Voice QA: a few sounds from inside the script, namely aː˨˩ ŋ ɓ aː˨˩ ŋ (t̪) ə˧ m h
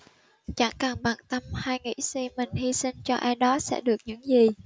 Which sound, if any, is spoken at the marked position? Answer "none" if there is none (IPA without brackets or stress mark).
t̪